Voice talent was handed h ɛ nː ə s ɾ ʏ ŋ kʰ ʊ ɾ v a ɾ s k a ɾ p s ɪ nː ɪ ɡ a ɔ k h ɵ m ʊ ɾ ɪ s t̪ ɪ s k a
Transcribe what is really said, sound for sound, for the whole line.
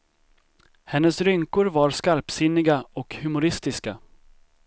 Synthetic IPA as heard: h ɛ nː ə s ɾ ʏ ŋ k ʊ ɾ v a ɾ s k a ɾ p s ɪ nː ɪ ɡ a ɔ k h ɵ m ʊ ɾ ɪ s t̪ ɪ s k a